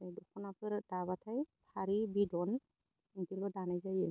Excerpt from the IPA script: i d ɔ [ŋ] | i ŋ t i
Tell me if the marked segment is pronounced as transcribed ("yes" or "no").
no